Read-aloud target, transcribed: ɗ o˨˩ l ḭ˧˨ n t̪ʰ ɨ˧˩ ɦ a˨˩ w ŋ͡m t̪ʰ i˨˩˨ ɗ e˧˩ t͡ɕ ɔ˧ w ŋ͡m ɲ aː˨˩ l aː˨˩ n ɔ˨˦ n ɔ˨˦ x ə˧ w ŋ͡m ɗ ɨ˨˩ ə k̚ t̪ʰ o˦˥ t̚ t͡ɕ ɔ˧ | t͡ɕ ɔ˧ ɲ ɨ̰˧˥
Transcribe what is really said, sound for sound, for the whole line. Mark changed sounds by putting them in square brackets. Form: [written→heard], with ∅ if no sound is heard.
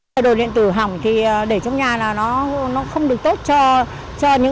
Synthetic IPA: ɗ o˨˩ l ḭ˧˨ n [t̪ʰ→t̪] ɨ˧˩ ɦ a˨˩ w ŋ͡m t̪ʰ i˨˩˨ ɗ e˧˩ t͡ɕ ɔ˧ w ŋ͡m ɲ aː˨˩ l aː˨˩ n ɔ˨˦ n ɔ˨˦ x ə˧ w ŋ͡m ɗ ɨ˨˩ ə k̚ [t̪ʰ→t̪] o˦˥ t̚ t͡ɕ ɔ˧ | t͡ɕ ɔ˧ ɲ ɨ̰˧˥